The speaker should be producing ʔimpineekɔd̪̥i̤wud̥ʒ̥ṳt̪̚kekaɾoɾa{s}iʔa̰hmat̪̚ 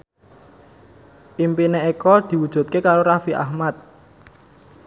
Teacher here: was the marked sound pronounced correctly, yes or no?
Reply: no